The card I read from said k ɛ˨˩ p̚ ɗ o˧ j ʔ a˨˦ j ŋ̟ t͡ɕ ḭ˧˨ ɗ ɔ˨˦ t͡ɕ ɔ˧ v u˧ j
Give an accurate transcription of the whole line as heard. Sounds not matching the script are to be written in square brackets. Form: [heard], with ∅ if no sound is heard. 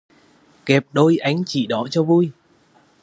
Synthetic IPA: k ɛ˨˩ p̚ ɗ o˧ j ʔ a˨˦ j ŋ̟ t͡ɕ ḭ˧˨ ɗ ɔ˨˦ t͡ɕ ɔ˧ v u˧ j